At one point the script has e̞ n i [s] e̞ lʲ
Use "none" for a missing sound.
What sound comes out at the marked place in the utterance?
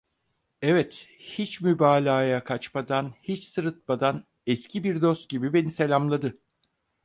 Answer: s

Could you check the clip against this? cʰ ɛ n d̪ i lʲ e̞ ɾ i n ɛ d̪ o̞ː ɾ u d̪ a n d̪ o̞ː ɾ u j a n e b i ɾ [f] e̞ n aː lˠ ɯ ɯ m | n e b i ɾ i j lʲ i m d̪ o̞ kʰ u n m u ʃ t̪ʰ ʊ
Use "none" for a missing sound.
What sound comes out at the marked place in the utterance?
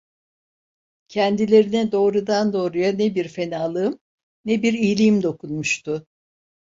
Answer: f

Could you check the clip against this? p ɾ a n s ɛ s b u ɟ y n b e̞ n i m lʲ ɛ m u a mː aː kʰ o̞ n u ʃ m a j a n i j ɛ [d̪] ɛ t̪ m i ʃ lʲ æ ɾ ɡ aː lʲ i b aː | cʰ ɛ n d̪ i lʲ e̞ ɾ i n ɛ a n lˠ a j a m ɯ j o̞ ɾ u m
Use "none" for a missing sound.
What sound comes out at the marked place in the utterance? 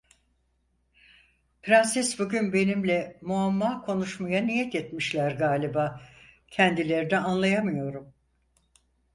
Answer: t̪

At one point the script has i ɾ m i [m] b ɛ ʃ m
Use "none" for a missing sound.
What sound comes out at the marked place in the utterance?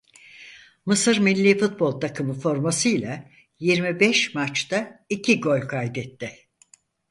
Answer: none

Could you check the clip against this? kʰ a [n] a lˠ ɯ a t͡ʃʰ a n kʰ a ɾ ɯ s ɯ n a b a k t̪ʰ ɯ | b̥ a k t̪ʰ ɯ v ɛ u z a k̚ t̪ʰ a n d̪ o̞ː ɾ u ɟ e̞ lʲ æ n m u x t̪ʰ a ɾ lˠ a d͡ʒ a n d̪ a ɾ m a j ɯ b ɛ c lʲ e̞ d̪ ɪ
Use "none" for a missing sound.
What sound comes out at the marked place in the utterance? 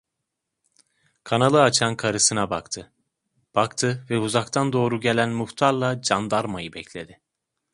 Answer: n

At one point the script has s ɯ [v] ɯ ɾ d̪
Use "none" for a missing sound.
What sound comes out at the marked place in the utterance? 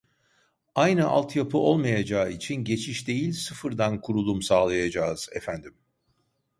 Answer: f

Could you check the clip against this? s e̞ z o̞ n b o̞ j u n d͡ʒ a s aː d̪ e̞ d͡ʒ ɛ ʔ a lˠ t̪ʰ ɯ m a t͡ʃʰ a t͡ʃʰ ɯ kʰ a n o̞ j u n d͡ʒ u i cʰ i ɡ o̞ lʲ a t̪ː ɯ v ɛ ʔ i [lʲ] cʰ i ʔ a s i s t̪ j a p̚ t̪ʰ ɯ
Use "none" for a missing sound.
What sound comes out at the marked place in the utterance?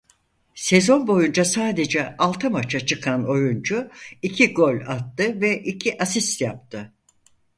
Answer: none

